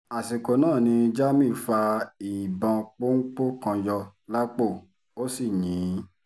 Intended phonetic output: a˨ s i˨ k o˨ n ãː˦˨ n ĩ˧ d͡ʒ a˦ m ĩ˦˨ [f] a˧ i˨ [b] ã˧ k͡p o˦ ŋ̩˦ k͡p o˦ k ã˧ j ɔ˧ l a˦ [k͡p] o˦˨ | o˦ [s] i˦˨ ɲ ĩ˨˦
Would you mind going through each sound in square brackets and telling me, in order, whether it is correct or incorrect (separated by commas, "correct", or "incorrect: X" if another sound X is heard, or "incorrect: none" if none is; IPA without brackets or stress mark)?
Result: correct, correct, correct, correct